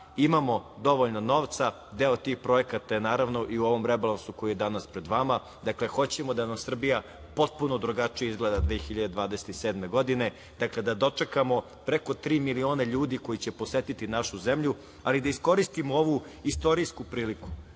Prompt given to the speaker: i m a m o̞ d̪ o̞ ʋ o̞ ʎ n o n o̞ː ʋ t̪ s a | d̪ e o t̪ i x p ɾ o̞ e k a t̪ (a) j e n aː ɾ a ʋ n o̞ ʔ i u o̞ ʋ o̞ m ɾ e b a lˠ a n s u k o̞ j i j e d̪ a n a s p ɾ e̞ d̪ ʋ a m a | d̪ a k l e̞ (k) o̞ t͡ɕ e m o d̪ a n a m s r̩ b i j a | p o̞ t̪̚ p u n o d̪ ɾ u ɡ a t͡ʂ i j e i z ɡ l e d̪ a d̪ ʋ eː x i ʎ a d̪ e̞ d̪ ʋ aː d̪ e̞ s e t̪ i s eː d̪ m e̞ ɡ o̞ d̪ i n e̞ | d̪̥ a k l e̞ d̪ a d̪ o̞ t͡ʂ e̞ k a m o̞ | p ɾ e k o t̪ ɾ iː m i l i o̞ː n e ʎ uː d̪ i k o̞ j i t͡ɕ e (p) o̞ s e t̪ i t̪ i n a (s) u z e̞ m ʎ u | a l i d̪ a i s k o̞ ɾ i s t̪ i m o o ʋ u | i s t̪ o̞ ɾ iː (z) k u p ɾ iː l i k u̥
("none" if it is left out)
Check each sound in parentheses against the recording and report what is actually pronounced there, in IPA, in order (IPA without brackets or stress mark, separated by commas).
a, x, p, ʃ, s